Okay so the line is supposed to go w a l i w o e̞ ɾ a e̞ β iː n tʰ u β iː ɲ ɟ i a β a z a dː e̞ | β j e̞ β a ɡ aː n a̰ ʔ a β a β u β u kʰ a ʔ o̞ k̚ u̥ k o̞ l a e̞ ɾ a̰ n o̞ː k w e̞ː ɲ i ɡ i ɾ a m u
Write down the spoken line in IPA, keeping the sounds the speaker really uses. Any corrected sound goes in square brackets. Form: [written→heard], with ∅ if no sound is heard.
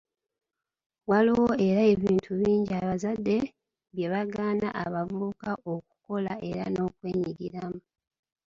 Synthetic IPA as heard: w a l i w o e̞ ɾ a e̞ β iː n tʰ u β iː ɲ ɟ i a β a z a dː e̞ | β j e̞ β a ɡ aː n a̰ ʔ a β a [β→v] u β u [kʰ→k] a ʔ o̞ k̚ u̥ k o̞ l a e̞ ɾ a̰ n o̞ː k w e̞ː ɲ i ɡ i ɾ a m u